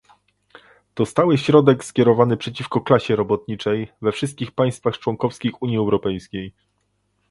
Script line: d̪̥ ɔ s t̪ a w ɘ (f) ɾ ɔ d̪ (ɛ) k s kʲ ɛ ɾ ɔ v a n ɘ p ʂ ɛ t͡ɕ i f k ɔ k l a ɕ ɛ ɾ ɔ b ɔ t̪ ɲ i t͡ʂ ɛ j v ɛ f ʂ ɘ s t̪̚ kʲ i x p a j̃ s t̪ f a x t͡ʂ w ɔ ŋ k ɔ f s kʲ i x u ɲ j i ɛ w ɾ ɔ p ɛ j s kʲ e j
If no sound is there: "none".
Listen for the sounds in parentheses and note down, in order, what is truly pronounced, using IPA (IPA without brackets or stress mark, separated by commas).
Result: ɕ, ɛ